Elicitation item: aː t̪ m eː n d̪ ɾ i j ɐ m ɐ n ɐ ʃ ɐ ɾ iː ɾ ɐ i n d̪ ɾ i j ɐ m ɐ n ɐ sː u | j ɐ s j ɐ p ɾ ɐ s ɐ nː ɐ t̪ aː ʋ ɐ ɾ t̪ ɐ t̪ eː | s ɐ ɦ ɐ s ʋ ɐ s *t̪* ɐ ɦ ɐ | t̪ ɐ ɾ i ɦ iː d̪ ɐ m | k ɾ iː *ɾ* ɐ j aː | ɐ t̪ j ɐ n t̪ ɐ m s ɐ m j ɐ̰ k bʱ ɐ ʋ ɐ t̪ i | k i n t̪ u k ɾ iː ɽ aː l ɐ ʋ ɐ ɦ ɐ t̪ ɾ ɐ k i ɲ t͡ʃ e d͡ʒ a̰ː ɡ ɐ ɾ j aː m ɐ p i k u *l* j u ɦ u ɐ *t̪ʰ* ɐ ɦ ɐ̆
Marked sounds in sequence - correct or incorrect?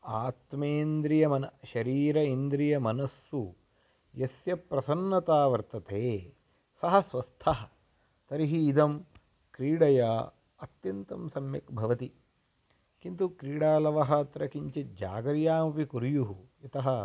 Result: incorrect, incorrect, incorrect, incorrect

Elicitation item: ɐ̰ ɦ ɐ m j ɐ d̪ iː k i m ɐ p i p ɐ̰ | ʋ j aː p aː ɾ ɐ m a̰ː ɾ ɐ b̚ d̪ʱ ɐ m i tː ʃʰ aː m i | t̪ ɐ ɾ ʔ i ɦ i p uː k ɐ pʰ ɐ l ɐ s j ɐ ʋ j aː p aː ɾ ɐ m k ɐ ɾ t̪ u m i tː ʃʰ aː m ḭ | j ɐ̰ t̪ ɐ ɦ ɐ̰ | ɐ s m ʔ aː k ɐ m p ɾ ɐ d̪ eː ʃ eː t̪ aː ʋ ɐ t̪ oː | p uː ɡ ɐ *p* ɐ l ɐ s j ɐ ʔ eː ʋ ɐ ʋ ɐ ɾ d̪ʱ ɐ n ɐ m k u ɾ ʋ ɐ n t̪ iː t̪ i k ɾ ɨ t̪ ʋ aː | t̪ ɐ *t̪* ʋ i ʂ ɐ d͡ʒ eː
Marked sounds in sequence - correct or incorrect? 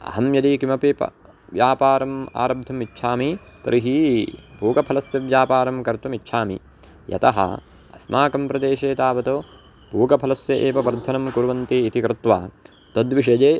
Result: incorrect, incorrect

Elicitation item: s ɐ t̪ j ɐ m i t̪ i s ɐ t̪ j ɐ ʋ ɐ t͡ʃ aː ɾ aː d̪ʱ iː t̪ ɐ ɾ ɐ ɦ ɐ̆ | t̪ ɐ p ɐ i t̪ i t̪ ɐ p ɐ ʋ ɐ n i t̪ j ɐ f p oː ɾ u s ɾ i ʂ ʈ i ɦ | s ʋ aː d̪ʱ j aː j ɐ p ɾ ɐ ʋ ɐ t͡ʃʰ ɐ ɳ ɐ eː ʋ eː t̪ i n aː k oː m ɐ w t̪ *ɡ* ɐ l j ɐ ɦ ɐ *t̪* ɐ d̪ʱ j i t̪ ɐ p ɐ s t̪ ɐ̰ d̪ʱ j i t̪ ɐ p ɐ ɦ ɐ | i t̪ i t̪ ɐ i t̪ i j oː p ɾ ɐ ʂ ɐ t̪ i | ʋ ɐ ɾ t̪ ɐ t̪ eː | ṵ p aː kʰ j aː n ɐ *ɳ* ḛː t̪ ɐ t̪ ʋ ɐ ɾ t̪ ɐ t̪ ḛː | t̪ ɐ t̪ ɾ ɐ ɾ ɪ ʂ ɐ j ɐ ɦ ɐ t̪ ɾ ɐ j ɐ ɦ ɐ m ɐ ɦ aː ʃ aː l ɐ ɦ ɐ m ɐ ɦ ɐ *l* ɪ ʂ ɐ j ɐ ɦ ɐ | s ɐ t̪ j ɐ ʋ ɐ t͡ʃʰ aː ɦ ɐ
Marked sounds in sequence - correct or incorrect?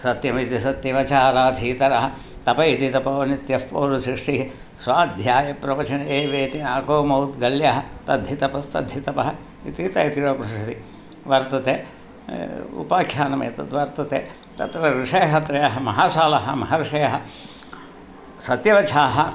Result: correct, correct, incorrect, incorrect

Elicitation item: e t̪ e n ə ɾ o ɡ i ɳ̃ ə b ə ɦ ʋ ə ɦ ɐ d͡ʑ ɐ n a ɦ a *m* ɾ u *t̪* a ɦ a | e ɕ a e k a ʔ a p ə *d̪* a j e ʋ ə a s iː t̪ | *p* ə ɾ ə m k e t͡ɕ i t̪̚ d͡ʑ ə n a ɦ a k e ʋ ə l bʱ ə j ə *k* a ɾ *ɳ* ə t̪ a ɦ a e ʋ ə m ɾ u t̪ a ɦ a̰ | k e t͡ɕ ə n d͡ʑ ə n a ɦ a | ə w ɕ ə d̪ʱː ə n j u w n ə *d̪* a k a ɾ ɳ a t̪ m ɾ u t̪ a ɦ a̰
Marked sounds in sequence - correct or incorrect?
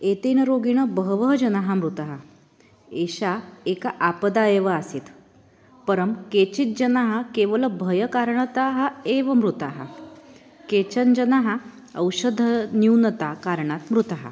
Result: correct, correct, correct, correct, correct, correct, incorrect

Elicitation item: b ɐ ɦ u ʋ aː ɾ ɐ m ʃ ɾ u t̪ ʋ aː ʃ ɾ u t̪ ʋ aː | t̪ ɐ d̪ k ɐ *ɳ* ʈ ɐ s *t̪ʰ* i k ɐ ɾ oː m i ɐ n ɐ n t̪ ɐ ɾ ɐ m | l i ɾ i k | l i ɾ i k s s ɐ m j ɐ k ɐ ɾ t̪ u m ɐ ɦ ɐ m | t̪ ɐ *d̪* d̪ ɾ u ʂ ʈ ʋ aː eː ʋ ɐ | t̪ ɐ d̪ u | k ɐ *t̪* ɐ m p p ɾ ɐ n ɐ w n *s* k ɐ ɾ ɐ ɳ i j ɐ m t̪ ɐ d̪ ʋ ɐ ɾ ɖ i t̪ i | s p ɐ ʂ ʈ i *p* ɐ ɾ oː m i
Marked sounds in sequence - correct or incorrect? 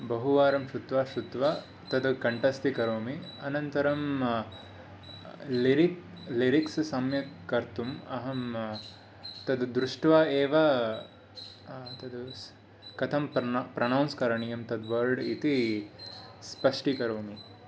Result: correct, incorrect, correct, incorrect, correct, incorrect

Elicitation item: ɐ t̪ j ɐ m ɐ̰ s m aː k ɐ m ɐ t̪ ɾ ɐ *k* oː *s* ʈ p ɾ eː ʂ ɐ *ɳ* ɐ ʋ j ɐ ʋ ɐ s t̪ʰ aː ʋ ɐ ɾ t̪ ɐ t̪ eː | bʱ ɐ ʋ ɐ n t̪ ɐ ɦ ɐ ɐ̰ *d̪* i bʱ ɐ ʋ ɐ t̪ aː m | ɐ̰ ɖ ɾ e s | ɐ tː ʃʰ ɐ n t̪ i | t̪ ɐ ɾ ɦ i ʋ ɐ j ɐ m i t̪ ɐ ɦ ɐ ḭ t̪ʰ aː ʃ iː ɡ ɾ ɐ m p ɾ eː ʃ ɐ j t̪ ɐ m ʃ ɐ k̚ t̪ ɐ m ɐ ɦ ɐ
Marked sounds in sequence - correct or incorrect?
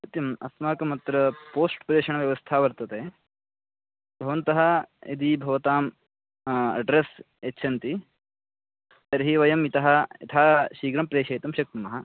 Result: incorrect, correct, correct, correct

